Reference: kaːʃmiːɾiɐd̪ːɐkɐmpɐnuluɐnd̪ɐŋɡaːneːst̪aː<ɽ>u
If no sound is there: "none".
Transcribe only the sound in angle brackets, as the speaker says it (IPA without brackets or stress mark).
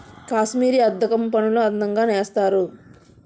ɾ